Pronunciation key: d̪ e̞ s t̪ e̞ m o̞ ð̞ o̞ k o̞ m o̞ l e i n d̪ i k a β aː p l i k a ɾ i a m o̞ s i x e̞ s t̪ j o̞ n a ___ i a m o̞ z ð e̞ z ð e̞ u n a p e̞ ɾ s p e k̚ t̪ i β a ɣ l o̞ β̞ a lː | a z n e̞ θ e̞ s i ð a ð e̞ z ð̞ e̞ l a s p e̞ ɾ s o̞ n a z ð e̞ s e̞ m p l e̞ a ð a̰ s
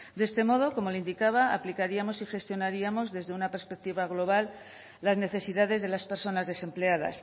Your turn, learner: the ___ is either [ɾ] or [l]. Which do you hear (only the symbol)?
ɾ